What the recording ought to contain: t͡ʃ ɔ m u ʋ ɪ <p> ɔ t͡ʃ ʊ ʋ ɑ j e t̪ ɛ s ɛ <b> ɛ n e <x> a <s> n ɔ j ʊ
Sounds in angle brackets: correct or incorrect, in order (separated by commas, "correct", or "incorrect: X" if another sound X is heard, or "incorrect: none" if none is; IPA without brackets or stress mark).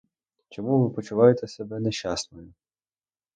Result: correct, correct, incorrect: ʃ, correct